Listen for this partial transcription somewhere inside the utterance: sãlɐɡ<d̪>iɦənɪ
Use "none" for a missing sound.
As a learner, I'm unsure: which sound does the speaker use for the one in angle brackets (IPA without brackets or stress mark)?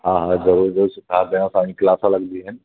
d̪